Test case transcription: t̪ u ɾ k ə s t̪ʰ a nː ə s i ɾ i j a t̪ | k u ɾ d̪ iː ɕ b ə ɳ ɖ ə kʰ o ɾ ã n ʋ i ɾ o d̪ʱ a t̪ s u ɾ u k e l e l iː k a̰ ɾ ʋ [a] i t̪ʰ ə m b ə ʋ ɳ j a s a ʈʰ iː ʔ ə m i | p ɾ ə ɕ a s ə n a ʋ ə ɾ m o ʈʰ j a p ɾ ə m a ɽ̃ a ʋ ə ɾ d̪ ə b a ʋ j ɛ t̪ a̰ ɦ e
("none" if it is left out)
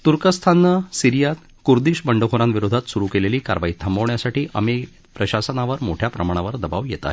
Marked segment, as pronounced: a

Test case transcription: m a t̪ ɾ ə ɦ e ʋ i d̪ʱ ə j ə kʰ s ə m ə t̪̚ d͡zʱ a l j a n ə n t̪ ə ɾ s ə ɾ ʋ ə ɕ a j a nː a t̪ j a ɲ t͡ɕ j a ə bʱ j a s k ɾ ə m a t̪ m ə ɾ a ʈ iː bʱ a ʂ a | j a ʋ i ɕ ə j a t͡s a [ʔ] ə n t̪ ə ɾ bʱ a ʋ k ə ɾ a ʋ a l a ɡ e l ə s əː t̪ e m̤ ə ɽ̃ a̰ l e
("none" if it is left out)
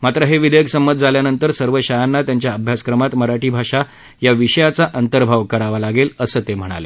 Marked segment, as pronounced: ʔ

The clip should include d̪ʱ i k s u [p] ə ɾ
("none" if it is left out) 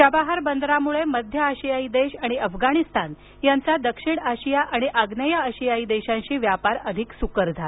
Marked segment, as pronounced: k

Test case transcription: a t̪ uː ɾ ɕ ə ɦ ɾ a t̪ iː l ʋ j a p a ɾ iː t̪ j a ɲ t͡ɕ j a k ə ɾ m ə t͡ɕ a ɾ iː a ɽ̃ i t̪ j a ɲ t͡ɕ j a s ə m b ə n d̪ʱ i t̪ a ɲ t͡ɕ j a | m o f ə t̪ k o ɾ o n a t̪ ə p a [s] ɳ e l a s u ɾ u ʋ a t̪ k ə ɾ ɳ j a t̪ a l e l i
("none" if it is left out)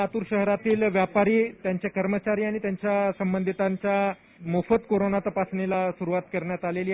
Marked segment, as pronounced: s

